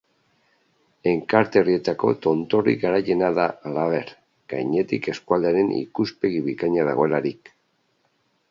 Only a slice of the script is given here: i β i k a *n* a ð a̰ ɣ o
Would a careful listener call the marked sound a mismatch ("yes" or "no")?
yes